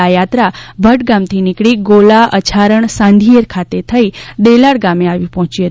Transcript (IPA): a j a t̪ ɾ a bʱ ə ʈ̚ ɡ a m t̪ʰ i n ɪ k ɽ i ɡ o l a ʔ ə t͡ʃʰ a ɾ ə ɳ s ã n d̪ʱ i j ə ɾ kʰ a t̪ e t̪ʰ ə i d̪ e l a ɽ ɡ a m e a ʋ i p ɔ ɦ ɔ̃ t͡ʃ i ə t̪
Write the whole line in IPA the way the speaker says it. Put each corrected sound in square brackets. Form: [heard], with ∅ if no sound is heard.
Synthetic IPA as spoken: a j a t̪ ɾ a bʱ ə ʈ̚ ɡ a m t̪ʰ i n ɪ k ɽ i ɡ o l a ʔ ə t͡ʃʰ a ɾ ə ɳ s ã n d̪ʱ i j ə ɾ kʰ a t̪ e t̪ʰ ə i d̪ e l a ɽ ɡ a m e a ʋ i p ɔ ɦ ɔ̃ t͡ʃ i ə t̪